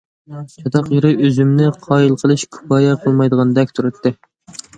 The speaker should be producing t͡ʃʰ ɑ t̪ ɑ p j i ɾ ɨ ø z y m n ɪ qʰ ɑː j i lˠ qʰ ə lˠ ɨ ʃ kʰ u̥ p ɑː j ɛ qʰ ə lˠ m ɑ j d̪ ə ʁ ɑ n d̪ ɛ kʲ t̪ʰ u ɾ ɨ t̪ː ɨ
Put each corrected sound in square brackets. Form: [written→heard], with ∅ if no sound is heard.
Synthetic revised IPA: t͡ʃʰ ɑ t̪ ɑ [p→q] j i ɾ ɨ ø z y m n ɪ qʰ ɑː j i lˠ qʰ ə lˠ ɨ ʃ kʰ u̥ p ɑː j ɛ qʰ ə lˠ m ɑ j d̪ ə ʁ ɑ n d̪ ɛ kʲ t̪ʰ u ɾ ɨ t̪ː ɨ